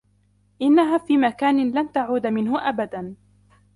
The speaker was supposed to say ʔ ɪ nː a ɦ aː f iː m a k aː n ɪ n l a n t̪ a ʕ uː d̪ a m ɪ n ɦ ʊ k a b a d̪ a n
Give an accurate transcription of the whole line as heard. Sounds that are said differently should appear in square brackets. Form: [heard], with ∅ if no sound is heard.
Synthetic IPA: ʔ ɪ nː a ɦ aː f iː m a k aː n ɪ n l a n t̪ a ʕ uː d̪ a m ɪ n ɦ ʊ [ʔ] a b a d̪ a n